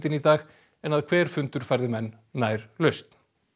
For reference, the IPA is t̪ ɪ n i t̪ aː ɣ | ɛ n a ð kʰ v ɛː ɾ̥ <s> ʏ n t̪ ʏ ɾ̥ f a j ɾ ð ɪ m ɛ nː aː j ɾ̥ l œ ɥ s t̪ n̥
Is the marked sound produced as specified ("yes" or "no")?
no